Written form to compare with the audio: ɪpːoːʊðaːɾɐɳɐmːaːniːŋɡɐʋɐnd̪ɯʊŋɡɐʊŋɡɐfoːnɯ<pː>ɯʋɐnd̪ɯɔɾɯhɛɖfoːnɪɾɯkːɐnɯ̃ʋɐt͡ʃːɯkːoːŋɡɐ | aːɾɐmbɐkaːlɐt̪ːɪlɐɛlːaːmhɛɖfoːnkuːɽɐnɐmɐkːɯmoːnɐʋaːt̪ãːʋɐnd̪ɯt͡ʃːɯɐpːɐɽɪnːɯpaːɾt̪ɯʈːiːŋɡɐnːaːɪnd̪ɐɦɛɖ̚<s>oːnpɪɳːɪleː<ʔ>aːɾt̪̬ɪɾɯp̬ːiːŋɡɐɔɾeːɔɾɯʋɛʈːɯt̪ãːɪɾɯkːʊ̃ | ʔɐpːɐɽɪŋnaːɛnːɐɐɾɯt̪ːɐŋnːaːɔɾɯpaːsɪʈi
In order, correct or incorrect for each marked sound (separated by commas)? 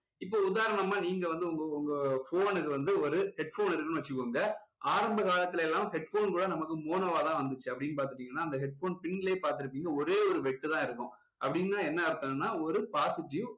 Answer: incorrect, incorrect, incorrect